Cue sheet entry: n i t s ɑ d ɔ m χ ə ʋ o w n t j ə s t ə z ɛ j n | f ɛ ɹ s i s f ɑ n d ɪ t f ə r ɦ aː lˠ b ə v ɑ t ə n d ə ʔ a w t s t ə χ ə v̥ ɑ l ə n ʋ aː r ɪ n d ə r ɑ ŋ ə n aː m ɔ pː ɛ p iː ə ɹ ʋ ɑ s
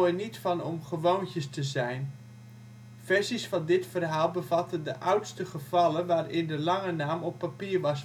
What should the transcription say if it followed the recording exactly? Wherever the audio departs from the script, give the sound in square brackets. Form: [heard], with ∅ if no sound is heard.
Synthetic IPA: n i t [f] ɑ [n] ɔ m χ ə ʋ o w n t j ə s t ə z ɛ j n | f ɛ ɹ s i s f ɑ n d ɪ t f ə r ɦ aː lˠ b ə v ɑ t ə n d ə ʔ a w t s t ə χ ə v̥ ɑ l ə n ʋ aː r ɪ n d ə [l] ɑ ŋ ə n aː m ɔ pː [a] p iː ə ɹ ʋ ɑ s